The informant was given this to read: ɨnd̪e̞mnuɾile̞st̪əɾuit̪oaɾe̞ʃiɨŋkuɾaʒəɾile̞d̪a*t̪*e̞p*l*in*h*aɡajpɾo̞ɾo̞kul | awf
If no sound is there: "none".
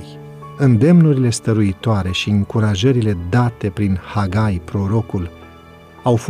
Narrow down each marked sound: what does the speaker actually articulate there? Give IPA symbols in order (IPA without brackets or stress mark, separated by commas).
t̪, ɾ, h